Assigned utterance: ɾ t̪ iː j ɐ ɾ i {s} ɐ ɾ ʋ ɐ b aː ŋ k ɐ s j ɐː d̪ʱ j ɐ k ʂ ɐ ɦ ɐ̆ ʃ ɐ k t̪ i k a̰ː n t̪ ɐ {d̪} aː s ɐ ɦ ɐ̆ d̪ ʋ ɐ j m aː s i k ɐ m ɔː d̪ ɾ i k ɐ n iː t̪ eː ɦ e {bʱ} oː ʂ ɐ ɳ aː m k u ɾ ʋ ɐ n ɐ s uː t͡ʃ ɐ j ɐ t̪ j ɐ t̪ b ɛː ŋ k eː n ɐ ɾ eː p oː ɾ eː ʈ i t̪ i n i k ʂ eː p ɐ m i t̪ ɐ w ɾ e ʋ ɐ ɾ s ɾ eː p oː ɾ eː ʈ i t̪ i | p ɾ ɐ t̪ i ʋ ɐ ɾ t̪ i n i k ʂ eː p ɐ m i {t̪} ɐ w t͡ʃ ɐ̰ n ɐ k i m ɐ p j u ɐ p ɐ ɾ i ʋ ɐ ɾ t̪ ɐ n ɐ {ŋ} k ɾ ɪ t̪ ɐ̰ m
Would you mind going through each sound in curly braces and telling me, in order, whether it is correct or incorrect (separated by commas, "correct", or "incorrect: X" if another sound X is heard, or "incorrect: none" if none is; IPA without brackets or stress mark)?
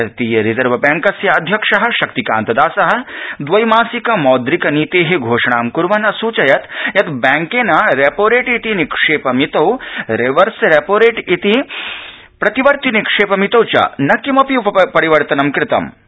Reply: incorrect: z, correct, incorrect: ɡʱ, correct, incorrect: m